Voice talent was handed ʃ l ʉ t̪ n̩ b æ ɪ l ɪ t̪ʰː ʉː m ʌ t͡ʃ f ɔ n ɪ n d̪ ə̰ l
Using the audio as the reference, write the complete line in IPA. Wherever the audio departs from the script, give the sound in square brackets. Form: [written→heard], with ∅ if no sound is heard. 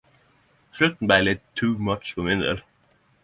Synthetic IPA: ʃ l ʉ t̪ n̩ b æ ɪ l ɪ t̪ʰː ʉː m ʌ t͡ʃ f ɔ [n→m] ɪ n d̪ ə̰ l

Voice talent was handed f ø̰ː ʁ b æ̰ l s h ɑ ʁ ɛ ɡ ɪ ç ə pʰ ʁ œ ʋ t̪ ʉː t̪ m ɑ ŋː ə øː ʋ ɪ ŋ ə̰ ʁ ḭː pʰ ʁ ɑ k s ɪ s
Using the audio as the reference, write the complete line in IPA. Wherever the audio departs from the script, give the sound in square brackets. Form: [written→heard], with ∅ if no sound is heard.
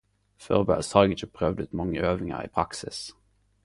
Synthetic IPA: f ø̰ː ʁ b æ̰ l s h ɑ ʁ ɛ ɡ ɪ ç ə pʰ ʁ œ ʋ [t̪→d̪] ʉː t̪ m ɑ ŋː ə øː ʋ ɪ ŋ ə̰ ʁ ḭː pʰ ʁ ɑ k s ɪ s

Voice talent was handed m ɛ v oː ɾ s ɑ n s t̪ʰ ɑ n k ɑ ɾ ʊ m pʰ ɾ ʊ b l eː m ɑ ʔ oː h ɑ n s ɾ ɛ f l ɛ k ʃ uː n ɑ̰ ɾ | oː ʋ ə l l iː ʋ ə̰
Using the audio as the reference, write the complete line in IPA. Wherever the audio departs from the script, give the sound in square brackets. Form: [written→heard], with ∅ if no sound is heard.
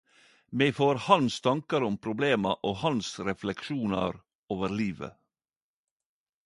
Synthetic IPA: m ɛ [v→f] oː ɾ [s→h] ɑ n s t̪ʰ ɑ [n→ŋ] k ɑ ɾ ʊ m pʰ ɾ ʊ b l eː m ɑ ʔ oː h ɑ n s ɾ ɛ f l ɛ k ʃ uː n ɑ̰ ɾ | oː ʋ ə [l→ɾ] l iː ʋ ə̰

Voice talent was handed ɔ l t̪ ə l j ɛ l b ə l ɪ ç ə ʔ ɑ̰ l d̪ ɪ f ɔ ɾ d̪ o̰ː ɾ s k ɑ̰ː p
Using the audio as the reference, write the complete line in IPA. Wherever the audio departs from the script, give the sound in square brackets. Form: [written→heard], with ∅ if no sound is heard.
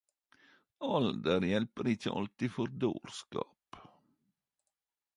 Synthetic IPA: ɔ l [t̪→d̪] ə [l→ɾ] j ɛ l [b→p] ə [l→ɾ] ɪ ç ə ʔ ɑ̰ l [d̪→t̪] ɪ f ɔ ɾ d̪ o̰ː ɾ s k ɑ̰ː p

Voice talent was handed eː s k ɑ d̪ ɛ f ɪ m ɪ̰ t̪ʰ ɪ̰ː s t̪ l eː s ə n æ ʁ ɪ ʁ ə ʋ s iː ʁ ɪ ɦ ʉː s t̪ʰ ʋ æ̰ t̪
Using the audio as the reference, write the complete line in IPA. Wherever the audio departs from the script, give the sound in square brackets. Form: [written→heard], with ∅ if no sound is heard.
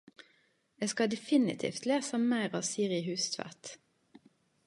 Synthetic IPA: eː s k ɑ d̪ ɛ f ɪ [m→n] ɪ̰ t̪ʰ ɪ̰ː [s→f] t̪ l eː s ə [n→m] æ [ʁ→∅] ɪ ʁ [ə→ɑ] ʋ s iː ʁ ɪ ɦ ʉː s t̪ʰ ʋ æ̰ t̪

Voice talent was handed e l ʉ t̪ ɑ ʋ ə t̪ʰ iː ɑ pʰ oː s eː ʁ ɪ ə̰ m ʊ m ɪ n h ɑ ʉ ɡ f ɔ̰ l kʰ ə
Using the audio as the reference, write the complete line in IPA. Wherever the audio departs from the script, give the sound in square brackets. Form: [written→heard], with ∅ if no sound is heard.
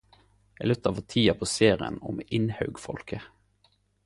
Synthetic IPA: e l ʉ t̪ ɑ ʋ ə t̪ʰ iː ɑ pʰ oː s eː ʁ ɪ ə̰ [m→n] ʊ m ɪ n h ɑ ʉ ɡ f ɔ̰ l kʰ ə

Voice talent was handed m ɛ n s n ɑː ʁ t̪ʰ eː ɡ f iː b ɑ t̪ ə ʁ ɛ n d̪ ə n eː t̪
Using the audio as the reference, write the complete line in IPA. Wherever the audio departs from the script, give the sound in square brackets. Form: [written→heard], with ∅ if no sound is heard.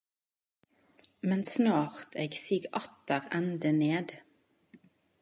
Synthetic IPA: m ɛ n s n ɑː ʁ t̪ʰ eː ɡ [f→s] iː [b→ɡ] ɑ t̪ ə ʁ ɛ n d̪ ə n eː [t̪→d̪]

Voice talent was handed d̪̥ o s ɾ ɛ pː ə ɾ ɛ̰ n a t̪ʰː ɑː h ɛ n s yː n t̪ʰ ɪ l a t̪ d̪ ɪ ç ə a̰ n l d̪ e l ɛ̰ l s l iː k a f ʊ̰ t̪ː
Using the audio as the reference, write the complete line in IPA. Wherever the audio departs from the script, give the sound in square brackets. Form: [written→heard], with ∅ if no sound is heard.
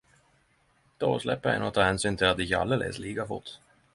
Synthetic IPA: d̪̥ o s [ɾ→l] ɛ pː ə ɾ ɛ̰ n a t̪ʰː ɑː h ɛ n s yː n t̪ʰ ɪ l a t̪ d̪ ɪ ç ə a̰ [n→∅] l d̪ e l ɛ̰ [l→∅] s l iː k a f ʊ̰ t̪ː

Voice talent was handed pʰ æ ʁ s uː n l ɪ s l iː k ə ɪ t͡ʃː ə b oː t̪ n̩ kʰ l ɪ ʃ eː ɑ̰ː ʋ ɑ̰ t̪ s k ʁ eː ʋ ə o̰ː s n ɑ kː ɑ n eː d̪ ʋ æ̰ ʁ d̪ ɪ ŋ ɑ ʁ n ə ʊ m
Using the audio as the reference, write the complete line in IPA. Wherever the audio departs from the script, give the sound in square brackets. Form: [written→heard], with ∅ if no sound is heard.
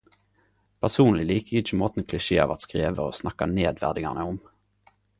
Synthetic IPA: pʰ æ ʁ s uː n l ɪ [s→∅] l iː k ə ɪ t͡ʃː ə [b→m] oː t̪ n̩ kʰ l ɪ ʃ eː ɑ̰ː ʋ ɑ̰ t̪ s k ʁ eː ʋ ə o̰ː s n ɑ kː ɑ n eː d̪ ʋ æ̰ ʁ d̪ ɪ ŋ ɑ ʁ n ə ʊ m

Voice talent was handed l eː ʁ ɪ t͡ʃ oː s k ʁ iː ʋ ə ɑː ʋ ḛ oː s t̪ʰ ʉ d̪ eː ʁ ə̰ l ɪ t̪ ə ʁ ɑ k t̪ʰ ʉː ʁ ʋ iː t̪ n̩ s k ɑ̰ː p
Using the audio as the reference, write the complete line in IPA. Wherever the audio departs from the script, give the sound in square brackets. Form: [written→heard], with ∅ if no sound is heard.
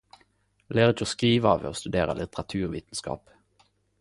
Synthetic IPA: l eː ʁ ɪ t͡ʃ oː s k ʁ iː ʋ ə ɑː ʋ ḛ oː s [t̪ʰ→t̪] ʉ d̪ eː ʁ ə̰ l ɪ t̪ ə ʁ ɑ [k→∅] t̪ʰ ʉː ʁ ʋ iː t̪ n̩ s k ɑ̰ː p

